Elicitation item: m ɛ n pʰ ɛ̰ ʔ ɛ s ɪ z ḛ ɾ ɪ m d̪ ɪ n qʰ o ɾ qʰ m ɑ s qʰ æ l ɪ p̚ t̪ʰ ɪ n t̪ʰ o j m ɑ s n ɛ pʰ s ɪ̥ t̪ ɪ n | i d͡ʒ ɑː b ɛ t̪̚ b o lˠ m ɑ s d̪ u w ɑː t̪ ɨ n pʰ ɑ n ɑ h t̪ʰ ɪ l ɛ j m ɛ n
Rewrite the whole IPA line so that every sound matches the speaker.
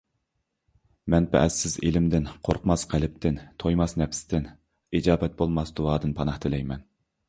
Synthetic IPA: m ɛ n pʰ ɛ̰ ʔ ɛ s ɪ z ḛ l ɪ m d̪ ɪ n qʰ o ɾ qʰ m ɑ s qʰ æ l ɪ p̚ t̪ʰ ɪ n t̪ʰ o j m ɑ s n ɛ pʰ s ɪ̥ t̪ ɪ n | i d͡ʒ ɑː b ɛ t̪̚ b o lˠ m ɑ s d̪ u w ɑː d̪ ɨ n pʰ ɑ n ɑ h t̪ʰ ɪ l ɛ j m ɛ n